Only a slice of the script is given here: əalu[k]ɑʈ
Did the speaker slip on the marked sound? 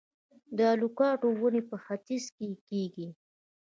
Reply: no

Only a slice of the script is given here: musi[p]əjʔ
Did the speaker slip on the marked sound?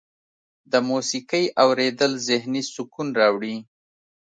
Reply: yes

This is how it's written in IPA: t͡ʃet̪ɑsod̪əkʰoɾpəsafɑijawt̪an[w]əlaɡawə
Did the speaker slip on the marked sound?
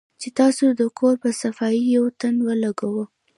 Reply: no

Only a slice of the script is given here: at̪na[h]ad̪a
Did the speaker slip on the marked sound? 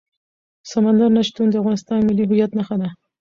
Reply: yes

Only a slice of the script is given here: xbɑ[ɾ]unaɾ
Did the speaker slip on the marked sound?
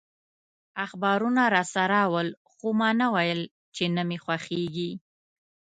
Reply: no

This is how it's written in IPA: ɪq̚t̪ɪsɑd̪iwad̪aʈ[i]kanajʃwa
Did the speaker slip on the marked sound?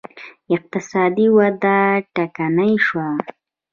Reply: yes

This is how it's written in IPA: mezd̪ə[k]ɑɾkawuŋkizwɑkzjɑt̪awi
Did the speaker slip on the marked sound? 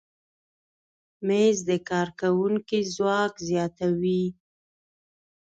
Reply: no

